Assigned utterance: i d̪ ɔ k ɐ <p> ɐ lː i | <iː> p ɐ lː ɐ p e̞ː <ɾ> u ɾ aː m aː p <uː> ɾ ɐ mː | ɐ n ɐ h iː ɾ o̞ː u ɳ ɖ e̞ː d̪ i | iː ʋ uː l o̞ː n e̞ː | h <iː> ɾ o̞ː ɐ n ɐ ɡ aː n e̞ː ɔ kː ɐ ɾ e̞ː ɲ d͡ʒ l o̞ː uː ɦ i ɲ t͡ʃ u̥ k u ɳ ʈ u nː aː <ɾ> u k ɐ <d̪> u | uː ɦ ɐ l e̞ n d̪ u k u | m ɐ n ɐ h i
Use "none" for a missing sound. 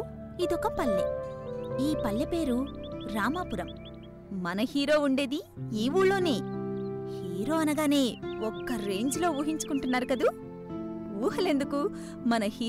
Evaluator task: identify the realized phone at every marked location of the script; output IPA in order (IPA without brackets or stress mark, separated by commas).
p, iː, ɾ, u, iː, ɾ, d̪